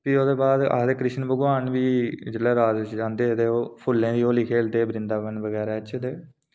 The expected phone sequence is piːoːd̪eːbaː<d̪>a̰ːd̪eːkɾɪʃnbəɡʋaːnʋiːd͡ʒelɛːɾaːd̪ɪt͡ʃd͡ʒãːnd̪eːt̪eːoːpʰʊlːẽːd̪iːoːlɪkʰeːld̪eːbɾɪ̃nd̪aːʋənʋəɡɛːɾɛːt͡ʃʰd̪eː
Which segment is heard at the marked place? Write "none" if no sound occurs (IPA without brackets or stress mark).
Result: d̪